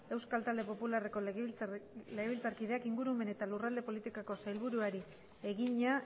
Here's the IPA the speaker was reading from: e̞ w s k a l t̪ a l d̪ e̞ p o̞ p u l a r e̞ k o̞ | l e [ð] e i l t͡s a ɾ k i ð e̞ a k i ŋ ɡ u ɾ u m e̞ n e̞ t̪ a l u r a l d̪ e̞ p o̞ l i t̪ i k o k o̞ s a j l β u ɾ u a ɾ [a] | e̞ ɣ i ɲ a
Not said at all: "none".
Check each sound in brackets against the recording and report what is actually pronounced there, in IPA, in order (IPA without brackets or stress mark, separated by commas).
ɣ, i